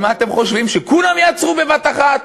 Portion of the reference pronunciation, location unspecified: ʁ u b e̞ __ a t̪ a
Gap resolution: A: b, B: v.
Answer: B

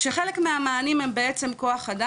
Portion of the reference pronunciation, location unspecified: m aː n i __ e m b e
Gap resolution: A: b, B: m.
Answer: B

